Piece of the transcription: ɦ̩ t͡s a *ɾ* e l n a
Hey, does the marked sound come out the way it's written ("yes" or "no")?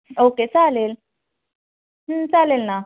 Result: no